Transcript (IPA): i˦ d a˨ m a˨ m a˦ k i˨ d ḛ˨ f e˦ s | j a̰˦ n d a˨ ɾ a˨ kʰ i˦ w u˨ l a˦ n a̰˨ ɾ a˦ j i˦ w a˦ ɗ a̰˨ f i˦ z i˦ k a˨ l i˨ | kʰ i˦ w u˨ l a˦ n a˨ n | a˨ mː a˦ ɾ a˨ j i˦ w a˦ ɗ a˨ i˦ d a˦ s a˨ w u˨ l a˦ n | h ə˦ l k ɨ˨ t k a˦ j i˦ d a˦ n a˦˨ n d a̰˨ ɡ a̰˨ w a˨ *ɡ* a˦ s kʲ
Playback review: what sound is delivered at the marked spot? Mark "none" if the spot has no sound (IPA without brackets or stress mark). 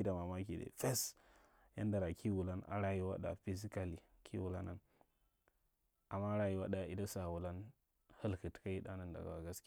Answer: ɡ